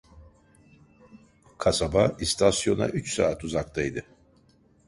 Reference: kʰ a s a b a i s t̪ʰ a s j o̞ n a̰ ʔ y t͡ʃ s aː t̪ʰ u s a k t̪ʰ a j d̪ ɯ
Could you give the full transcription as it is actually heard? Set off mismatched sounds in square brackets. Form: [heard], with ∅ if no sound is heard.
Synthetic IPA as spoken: kʰ a s a b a i s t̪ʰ a s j o̞ n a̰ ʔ y t͡ʃ s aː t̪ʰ u [z] a k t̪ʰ a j d̪ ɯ

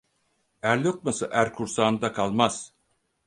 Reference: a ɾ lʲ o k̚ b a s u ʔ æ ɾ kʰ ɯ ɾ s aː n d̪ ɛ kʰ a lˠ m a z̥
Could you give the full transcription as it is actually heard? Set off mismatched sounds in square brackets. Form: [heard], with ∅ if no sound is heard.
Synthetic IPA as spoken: [æ] ɾ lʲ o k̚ [m] a s [ɯ] ʔ æ ɾ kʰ [u] ɾ s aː n d̪ [a] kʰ a lˠ m a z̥

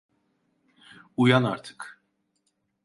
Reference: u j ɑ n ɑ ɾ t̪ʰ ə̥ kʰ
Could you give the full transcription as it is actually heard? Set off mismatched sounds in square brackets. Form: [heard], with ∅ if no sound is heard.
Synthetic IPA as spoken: u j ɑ n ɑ ɾ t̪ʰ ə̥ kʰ

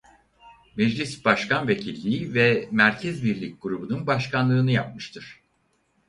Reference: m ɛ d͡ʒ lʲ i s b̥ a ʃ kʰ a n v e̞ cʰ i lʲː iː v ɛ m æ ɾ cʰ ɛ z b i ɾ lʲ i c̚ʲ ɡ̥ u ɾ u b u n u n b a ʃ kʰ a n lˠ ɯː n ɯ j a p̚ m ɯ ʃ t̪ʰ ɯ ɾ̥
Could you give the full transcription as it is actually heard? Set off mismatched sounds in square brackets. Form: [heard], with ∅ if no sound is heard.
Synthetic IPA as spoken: m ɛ d͡ʒ lʲ i s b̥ a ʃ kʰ a n v e̞ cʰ i lʲː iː v ɛ m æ ɾ cʰ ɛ z b i ɾ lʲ i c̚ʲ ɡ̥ u ɾ u b u n u n b a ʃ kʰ a n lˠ ɯː n ɯ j a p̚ m ɯ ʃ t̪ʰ ɯ ɾ̥

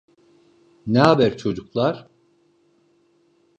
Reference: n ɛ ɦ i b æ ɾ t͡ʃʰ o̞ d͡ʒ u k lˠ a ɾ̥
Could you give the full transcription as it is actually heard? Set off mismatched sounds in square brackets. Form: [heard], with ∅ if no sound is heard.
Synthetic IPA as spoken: n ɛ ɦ [a] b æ ɾ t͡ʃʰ o̞ d͡ʒ u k lˠ a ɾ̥

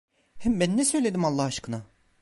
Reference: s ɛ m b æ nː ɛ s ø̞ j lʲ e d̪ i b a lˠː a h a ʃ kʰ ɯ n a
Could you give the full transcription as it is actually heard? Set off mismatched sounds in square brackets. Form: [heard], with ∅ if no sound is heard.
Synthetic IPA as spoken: [h] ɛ m b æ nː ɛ s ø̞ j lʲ e d̪ i [m] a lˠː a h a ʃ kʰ ɯ n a

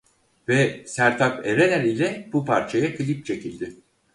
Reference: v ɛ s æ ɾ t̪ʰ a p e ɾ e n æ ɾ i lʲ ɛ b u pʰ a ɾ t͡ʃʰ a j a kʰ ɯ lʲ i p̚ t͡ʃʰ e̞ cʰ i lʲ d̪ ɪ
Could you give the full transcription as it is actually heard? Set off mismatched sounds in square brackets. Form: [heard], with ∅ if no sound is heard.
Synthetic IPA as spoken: v ɛ s æ ɾ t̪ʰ a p e ɾ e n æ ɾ i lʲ ɛ b u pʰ a ɾ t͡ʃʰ a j a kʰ ɯ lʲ i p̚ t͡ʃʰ e̞ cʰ i lʲ d̪ ɪ

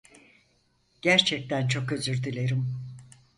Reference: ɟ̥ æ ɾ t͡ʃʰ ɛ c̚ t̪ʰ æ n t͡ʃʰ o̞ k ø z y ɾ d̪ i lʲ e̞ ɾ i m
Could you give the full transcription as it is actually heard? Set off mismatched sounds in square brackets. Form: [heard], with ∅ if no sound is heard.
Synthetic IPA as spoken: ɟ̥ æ ɾ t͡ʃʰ ɛ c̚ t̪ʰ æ n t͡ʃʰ o̞ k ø z y ɾ d̪ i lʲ e̞ ɾ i m

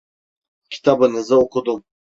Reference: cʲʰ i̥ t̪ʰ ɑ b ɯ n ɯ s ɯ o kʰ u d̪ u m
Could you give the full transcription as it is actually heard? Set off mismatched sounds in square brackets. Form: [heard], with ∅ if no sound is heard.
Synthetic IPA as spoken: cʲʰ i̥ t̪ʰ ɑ b ɯ n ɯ [z] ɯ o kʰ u d̪ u m

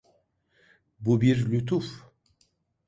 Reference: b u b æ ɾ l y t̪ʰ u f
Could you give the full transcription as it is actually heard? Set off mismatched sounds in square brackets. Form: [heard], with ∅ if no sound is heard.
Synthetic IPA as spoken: b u b [i] ɾ l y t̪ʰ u f

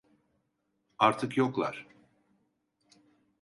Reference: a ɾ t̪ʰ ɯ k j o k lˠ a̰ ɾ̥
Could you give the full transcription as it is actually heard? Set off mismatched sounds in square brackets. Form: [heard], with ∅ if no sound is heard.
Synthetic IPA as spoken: a ɾ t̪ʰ ɯ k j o k lˠ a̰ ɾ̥

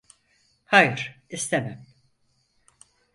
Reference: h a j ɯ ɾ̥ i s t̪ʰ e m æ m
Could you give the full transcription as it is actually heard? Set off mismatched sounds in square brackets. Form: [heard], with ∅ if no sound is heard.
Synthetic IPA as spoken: h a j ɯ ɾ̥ i s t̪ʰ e m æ m

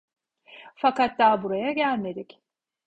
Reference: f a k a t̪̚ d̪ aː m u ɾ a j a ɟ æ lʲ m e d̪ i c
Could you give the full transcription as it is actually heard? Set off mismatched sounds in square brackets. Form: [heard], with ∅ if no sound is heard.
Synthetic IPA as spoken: f a k a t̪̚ d̪ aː [b] u ɾ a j a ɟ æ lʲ m e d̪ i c

